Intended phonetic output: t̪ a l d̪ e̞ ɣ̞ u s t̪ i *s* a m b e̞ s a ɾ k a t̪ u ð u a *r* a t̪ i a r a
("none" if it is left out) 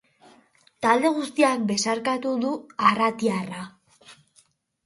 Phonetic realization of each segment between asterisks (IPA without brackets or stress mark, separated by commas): none, r